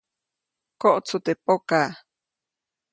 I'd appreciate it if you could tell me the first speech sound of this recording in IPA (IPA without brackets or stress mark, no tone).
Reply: k